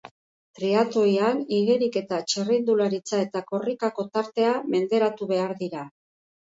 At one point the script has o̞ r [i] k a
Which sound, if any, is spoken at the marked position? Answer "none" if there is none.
i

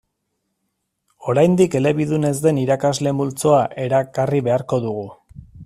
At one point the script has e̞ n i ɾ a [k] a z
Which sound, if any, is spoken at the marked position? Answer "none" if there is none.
k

